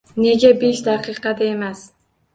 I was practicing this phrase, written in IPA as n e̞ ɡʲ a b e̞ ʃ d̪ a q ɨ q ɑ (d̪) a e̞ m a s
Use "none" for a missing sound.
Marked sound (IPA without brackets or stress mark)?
d̪